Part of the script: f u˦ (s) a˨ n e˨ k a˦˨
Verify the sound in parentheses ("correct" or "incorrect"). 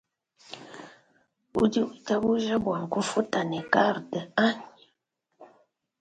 incorrect